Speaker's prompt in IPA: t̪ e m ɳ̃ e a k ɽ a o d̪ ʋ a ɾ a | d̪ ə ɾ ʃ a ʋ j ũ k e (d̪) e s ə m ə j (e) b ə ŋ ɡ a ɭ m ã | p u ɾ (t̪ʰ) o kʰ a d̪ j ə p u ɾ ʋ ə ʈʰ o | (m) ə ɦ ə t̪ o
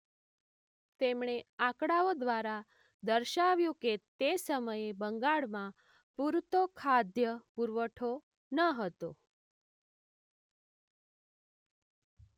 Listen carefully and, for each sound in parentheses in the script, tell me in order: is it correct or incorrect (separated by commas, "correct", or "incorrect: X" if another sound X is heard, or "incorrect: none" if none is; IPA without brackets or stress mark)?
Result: incorrect: t̪, correct, incorrect: t̪, incorrect: n